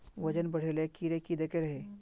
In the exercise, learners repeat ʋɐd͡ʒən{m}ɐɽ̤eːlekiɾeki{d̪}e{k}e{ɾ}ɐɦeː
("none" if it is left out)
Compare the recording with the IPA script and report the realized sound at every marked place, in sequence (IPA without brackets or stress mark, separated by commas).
b, d̪, k, ɾ